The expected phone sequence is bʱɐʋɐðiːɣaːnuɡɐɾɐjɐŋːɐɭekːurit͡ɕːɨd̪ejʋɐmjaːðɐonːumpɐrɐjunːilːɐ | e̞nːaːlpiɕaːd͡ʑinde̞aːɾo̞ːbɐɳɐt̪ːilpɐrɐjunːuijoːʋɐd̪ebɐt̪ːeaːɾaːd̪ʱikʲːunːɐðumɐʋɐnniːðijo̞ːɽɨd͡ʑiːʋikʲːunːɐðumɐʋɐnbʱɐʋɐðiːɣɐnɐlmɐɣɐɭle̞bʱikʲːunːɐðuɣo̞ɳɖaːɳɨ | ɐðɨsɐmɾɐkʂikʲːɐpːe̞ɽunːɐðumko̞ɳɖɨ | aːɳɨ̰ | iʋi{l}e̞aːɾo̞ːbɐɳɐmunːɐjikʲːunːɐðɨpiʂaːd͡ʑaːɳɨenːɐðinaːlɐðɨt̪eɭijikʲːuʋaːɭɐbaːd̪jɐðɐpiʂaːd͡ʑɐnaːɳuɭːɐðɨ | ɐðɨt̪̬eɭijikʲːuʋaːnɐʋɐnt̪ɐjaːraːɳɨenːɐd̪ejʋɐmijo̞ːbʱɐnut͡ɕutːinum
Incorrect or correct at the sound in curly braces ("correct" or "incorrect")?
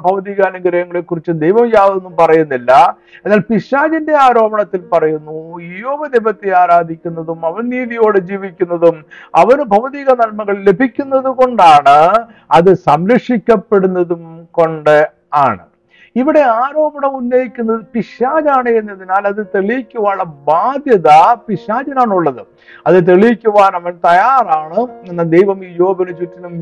incorrect